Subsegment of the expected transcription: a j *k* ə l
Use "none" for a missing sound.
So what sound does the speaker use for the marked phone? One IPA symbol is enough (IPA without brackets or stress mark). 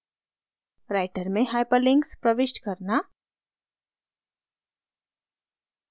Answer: p